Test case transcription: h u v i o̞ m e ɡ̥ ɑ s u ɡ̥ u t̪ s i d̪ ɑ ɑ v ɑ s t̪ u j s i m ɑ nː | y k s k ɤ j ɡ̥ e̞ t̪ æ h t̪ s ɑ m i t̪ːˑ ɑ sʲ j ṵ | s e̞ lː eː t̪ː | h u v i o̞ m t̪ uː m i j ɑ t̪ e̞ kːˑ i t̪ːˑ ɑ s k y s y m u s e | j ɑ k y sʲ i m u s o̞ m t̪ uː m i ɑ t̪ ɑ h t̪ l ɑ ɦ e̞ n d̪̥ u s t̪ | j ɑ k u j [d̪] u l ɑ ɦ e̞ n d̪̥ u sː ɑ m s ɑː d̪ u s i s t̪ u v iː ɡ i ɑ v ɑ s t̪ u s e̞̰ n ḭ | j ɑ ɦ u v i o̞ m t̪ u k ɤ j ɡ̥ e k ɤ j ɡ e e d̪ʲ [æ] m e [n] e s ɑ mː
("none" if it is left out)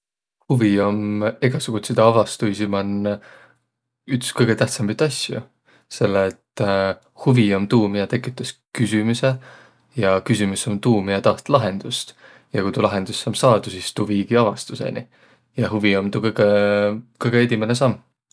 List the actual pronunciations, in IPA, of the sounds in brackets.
t̪, i, n

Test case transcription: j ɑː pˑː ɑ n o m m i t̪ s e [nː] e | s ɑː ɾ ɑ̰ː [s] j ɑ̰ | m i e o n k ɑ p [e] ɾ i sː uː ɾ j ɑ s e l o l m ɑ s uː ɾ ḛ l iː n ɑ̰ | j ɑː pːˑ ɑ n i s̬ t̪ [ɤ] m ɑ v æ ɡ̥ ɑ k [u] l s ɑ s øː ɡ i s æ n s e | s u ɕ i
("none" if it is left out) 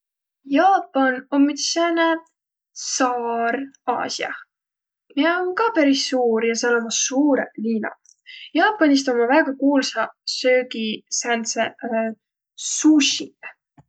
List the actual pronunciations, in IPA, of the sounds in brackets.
n, s, æ, o, uː

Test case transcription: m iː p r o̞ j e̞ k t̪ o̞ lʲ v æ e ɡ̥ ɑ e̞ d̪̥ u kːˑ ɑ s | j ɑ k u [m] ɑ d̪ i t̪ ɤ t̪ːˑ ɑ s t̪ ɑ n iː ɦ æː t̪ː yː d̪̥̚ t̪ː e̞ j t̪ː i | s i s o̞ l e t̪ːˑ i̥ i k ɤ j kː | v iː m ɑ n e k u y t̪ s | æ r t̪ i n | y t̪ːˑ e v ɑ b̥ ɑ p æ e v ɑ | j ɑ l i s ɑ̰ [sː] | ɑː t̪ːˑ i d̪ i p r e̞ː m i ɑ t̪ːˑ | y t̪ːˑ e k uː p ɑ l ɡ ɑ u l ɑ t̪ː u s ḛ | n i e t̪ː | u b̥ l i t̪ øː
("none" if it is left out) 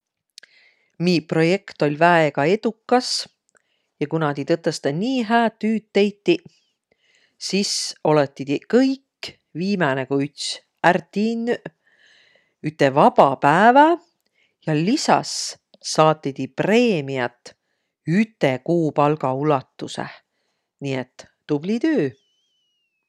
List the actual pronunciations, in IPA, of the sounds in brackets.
n, sː

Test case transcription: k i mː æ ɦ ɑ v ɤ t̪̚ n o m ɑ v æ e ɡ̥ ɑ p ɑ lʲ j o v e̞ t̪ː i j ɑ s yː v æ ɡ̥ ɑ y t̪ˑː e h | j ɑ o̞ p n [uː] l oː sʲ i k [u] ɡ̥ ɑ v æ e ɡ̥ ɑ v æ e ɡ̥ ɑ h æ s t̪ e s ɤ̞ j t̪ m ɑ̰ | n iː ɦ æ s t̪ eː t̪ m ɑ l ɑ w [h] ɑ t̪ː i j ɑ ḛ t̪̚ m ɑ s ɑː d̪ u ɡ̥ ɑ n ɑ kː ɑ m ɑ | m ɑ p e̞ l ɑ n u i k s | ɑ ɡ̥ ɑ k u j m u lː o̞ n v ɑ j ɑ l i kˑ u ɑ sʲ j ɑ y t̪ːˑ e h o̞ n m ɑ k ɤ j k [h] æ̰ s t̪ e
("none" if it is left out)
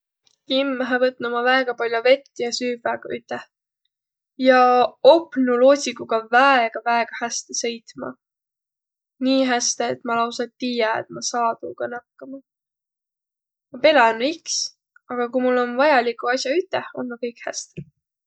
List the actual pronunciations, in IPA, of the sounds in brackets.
u, u, s, h

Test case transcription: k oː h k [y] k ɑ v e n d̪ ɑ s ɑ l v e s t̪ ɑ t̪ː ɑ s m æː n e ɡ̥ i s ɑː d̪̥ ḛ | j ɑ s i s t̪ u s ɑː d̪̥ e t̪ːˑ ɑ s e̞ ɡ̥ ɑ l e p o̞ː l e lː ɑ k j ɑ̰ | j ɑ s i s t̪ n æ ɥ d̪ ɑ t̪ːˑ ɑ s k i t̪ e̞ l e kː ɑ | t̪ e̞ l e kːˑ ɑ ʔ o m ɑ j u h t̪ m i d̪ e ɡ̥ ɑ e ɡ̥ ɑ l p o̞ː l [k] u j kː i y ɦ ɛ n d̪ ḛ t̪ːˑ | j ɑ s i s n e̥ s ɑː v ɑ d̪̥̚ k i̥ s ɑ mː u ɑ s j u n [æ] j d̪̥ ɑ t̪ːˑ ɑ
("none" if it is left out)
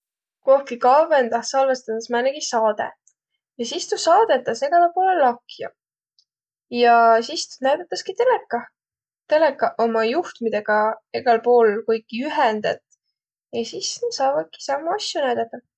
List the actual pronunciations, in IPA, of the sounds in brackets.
i, k, æ

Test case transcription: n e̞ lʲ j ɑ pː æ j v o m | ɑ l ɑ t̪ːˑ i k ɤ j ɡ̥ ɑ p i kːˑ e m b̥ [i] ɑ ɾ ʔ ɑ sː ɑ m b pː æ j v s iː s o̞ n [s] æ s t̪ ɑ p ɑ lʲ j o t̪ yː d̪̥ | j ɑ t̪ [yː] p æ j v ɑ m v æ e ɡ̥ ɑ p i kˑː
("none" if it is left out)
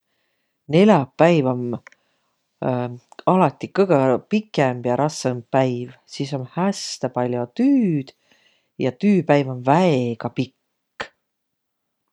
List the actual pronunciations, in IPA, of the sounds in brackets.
j, h, yː

